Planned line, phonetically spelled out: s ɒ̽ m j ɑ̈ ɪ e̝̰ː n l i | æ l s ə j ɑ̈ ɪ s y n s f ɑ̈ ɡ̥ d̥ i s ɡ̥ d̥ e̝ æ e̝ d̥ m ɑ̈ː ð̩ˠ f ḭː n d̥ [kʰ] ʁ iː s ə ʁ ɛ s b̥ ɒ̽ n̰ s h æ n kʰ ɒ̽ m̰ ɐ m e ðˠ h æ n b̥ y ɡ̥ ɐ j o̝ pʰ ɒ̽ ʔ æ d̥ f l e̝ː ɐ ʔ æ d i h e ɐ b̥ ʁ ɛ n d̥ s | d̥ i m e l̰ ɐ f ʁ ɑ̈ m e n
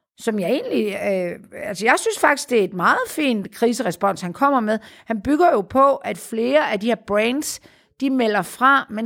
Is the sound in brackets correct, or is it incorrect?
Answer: correct